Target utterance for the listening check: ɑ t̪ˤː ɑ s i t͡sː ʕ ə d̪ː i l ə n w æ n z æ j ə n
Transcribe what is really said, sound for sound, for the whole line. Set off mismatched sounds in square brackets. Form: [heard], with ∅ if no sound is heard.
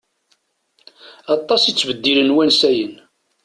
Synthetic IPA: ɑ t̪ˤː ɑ s i t͡sː [v] ə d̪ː i l ə n w æ n [s] æ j ə n